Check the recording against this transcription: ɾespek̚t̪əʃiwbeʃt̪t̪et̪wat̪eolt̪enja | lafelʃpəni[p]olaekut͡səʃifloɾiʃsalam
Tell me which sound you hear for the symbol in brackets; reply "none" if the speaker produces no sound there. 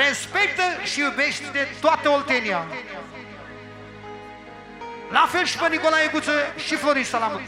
k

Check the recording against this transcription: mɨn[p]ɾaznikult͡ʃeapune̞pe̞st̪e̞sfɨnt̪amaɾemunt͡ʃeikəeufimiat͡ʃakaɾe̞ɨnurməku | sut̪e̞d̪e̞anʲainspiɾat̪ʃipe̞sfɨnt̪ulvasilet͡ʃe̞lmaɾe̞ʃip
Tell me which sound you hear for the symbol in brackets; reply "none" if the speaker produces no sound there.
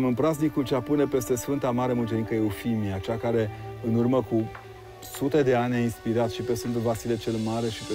p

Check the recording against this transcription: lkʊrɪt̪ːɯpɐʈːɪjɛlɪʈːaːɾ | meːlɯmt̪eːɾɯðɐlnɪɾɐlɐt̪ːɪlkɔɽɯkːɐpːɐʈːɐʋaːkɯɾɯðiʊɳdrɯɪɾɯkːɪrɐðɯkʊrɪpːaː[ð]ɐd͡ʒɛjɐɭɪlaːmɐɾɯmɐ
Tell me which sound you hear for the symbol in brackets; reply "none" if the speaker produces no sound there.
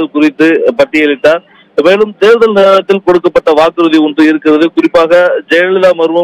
ɣ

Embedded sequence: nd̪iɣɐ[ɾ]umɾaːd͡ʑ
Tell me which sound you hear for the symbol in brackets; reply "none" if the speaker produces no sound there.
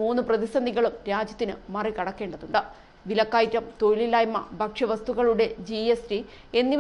ɭ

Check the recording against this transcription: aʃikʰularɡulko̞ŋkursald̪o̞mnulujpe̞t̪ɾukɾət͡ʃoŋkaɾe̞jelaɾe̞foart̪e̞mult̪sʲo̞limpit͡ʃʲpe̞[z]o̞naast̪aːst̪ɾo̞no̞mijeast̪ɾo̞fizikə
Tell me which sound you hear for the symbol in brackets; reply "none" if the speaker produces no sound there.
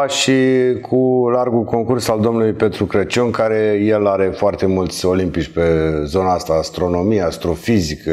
z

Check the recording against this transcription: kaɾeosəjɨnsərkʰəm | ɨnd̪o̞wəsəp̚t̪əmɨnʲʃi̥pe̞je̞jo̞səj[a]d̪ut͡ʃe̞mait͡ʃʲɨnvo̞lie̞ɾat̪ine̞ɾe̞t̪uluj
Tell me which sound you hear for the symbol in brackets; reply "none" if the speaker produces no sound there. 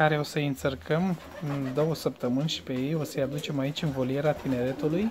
a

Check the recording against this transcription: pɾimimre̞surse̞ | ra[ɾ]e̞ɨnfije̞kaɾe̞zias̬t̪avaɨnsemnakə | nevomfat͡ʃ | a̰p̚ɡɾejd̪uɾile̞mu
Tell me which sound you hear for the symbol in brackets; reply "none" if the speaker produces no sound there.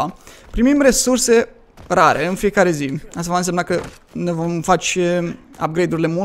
ɾ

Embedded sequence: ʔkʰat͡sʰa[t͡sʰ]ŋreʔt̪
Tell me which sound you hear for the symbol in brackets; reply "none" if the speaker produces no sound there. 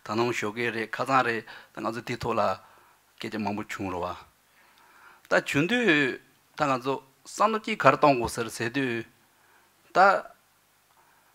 none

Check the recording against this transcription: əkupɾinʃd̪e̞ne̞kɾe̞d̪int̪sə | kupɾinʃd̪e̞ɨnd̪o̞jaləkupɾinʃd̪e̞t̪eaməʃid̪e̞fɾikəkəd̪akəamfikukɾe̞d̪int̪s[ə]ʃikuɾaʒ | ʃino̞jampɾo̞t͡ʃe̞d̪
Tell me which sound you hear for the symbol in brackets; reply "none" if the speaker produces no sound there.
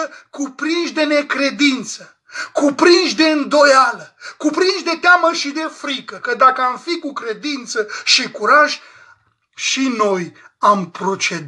ə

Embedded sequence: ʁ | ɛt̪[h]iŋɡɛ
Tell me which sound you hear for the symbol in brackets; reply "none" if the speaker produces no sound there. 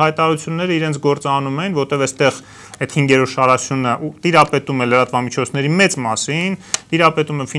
h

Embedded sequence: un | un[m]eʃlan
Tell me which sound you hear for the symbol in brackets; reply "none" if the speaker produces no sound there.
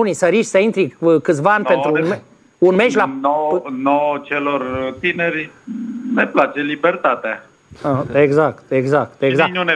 m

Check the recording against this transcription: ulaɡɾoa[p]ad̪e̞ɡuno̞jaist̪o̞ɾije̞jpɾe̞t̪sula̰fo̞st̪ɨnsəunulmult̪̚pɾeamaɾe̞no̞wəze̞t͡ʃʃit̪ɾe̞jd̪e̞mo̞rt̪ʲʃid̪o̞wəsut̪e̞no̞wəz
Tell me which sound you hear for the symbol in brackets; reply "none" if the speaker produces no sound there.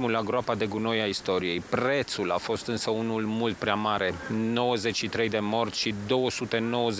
p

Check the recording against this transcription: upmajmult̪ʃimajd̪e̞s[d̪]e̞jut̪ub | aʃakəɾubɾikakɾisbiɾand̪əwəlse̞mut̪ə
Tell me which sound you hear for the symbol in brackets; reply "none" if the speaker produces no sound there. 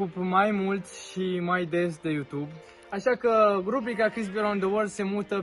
d̪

